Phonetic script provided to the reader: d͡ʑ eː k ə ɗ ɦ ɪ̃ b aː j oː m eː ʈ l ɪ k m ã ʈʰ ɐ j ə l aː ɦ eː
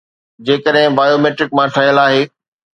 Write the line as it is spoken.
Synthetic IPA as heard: d͡ʑ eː k ə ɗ ɦ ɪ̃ b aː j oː m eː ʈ ɾ ɪ k m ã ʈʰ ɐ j ə l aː ɦ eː